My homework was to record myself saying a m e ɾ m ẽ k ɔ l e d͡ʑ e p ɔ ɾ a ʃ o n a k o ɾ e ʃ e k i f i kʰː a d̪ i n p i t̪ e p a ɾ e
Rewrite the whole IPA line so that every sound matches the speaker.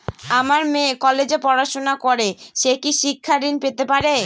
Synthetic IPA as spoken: a m a ɾ m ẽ k ɔ l e d͡ʑ e p ɔ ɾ a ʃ o n a k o ɾ e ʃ e k i ʃ i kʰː a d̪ i n p e t̪ e p a ɾ e

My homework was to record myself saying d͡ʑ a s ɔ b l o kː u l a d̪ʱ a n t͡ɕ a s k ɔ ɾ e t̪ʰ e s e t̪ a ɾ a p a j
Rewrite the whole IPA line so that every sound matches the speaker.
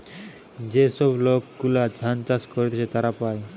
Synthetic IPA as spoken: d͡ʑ e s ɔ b l o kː u l a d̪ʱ a n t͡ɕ a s k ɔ ɾ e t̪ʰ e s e t̪ a ɾ a p a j

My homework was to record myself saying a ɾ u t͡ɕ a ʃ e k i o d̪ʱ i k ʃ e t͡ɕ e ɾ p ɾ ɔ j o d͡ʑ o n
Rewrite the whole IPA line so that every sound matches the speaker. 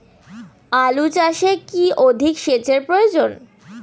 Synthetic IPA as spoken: a l u t͡ɕ a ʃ e k i o d̪ʱ i k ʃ e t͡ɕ e ɾ p ɾ o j o d͡ʑ o n

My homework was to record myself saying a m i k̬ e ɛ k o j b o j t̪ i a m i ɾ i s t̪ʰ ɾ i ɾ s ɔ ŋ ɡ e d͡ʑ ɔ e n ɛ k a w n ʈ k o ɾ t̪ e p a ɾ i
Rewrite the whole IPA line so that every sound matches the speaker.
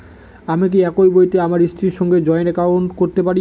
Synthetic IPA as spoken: a m i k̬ i ɛ k o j b o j t̪ e a m a ɾ i s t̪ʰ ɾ i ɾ ʃ ɔ ŋ ɡ e d͡ʑ ɔ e n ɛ k a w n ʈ k o ɾ t̪ e p a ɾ i

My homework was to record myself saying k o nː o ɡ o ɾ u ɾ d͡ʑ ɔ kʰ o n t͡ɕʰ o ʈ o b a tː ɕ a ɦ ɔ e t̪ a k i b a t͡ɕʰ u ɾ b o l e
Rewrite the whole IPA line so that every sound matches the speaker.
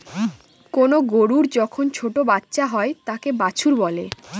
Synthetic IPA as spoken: k o n o ɡ o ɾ u ɾ d͡ʑ ɔ kʰ o n t͡ɕʰ o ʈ o b a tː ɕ a ɦ ɔ e t̪ a k e b a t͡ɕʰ u ɾ b ɔ l e

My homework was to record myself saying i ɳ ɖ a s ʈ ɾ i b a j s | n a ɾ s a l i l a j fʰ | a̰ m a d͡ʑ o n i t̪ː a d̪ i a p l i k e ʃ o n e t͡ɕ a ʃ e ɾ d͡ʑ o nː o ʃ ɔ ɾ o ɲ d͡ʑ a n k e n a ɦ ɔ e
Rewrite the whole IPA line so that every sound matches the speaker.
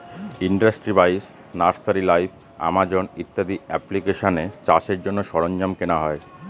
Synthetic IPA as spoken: i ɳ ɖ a s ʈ ɾ i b a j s | n a ɾ s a ɾ i l a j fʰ | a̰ m a d͡ʑ o n i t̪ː a d̪ i ɛ p l i k e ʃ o n e t͡ɕ a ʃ e ɾ d͡ʑ o nː o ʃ ɔ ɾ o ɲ d͡ʑ a m k e n a ɦ ɔ e

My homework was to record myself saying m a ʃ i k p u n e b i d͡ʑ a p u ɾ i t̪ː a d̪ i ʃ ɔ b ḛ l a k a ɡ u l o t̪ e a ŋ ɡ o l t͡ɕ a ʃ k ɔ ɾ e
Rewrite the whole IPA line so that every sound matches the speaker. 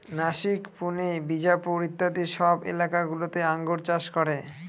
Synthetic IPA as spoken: n a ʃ i k p u n e b i d͡ʑ a p u ɾ i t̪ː a d̪ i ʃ ɔ b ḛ l a k a ɡ u l o t̪ e a ŋ ɡ o ɾ t͡ɕ a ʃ k ɔ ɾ e

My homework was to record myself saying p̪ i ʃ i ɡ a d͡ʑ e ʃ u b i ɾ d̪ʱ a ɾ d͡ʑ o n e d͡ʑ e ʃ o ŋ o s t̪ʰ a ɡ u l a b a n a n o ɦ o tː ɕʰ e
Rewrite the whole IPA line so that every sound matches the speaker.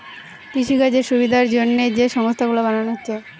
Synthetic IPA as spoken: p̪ i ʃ i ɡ a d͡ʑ e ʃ u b i d̪ʱ a ɾ d͡ʑ o nː e d͡ʑ e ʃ ɔ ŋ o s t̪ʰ a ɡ u l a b a n a n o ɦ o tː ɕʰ e

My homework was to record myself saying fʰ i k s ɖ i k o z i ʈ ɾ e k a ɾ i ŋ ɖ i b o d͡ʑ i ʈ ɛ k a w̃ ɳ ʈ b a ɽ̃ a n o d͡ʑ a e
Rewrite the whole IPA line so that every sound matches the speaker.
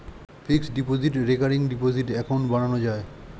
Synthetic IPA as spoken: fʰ i k s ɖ i p o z i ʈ ɾ e k a ɾ i ŋ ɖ i p o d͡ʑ i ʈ ɛ k a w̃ ɳ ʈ b a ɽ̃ a n o d͡ʑ a e

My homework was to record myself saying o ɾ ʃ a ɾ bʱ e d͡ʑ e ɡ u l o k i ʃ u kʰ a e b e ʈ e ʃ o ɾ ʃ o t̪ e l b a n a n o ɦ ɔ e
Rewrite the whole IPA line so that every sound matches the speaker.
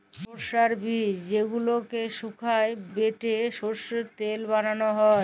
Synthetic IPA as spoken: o ɾ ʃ a ɾ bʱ i d͡ʑ e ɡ u l o k e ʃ u kʰ a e b e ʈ e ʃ o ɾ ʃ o t̪ e l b a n a n o ɦ ɔ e

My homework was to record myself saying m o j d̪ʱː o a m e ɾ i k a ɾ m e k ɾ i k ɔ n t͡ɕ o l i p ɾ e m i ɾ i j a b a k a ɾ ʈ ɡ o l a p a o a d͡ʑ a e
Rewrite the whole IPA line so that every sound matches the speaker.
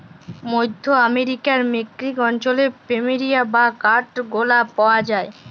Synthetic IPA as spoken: m o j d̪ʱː o a m e ɾ i k a ɾ m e k ɾ i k ɔ n t͡ɕ o l e p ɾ e m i ɾ i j a b a k a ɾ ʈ ɡ o l a p a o a d͡ʑ a e

